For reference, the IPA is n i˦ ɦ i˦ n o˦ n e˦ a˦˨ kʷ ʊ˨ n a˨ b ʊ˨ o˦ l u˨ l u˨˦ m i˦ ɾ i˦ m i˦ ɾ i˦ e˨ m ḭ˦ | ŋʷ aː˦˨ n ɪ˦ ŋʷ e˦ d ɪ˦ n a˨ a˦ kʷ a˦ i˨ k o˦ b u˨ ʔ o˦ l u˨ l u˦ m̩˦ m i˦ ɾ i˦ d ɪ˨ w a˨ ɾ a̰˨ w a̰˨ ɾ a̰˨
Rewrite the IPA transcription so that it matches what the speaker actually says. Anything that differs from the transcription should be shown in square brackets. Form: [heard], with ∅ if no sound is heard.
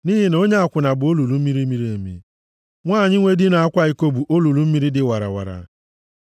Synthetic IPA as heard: n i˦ ɦ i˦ n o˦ [ɲ] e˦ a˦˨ kʷ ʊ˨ n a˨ b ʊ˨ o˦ l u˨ l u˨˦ m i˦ ɾ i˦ m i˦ ɾ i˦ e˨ m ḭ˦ | ŋʷ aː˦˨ [ɲ] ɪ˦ ŋʷ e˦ d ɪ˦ n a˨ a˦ kʷ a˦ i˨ k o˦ b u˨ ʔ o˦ l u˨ l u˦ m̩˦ m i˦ ɾ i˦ d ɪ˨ w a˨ ɾ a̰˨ w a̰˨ ɾ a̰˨

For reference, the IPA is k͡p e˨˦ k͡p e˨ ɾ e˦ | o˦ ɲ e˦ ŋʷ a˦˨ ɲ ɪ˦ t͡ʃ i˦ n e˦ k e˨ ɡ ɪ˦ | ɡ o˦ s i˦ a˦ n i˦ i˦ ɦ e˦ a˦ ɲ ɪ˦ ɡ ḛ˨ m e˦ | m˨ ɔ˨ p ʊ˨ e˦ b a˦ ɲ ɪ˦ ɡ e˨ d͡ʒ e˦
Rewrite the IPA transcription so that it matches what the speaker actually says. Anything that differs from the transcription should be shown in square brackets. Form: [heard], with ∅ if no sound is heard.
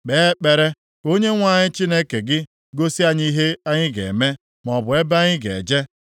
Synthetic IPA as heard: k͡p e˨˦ k͡p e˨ ɾ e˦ | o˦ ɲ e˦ ŋʷ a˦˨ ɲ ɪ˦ t͡ʃ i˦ n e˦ k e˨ ɡ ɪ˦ | ɡ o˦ s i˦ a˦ [ɲ] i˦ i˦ ɦ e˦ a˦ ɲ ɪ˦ ɡ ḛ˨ m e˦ | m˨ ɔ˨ [b] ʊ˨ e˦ b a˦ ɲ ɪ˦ ɡ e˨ d͡ʒ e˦

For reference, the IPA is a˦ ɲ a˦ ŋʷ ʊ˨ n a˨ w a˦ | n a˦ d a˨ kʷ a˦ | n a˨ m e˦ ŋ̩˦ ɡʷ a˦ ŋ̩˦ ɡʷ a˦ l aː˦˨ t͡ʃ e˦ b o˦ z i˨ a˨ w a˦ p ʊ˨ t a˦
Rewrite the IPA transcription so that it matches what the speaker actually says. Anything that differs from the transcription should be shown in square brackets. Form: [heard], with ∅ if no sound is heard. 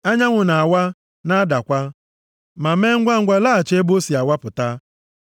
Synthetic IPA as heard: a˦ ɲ a˦ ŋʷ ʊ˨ n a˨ w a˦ | n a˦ d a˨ kʷ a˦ | [m] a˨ m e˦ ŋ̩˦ ɡʷ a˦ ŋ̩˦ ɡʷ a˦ l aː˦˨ t͡ʃ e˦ b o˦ [s] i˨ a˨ w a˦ p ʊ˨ t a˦

